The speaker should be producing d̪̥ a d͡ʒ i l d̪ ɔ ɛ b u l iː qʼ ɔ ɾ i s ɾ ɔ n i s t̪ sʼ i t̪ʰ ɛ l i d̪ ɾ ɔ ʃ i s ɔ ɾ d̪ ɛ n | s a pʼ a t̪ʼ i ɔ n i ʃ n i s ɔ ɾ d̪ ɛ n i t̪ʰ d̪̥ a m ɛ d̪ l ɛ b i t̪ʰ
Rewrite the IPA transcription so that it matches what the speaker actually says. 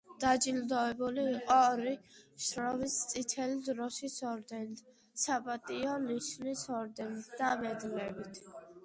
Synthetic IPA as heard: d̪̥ a d͡ʒ i l d̪ ɔ ɛ b u l iː qʼ ɔ ɾ i ʃ ɾ ɔ m i s t̪ sʼ i t̪ʰ ɛ l i d̪ ɾ ɔ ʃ i s ɔ ɾ d̪ ɛ n | s a pʼ a t̪ʼ i ɔ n i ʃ n i s ɔ ɾ d̪ ɛ n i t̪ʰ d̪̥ a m ɛ d̪ l ɛ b i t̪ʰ